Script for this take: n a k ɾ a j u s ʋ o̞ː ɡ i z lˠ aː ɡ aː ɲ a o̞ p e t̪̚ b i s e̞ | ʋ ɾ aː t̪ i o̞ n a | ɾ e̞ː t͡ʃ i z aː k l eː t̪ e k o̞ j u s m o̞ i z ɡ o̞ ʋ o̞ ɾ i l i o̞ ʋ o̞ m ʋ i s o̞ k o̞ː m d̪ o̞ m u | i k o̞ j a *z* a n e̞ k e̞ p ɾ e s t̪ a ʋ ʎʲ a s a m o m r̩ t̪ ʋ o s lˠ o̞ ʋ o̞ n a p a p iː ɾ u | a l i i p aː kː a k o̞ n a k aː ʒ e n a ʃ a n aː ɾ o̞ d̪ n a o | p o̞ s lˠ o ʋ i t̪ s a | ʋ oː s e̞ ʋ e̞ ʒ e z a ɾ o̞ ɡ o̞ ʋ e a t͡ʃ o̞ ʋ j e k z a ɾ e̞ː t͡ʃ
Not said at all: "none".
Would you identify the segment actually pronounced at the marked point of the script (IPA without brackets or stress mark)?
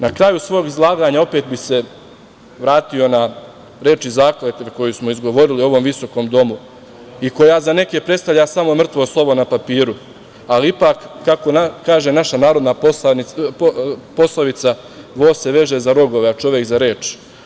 z